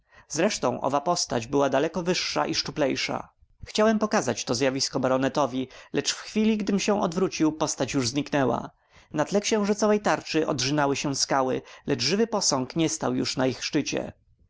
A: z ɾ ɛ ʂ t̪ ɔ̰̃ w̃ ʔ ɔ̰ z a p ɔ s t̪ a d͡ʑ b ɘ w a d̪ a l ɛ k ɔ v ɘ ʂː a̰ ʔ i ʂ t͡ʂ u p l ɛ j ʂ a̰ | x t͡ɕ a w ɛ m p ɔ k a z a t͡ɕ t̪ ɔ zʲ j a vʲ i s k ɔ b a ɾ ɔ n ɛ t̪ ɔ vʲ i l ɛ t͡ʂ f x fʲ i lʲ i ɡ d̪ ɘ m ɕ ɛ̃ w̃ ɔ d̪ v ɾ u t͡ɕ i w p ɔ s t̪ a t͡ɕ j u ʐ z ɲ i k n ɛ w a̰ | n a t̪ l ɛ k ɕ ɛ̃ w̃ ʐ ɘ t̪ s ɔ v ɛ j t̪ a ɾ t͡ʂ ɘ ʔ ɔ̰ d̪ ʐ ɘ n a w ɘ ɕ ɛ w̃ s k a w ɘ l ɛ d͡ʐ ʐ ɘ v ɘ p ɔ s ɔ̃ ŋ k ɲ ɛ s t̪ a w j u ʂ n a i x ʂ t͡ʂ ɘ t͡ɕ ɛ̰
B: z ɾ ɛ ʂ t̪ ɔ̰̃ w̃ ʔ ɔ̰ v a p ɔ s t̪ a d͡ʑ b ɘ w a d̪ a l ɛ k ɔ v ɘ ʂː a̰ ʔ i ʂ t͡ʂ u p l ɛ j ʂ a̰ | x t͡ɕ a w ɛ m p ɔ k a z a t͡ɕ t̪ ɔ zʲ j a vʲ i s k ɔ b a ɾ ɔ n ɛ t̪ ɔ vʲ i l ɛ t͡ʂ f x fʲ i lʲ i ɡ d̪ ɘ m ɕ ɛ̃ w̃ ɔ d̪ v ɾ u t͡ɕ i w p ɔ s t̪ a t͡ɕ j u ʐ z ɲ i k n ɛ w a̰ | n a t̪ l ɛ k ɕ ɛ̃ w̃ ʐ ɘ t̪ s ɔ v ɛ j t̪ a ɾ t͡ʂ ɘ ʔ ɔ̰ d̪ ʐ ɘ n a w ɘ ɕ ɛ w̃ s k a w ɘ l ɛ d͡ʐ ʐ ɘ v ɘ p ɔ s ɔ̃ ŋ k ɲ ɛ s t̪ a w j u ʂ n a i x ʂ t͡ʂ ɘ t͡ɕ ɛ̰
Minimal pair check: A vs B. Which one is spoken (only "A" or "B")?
B